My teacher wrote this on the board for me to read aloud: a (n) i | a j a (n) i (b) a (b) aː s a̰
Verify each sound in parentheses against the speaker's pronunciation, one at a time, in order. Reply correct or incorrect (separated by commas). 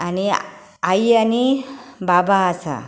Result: correct, correct, correct, correct